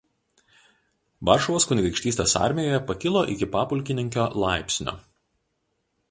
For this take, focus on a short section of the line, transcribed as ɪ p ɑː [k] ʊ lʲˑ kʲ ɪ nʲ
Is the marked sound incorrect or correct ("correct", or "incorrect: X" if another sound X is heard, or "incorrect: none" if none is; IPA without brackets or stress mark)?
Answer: incorrect: p